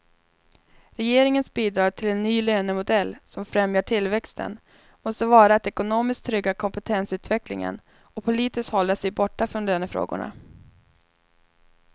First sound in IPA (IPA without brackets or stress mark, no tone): ɾ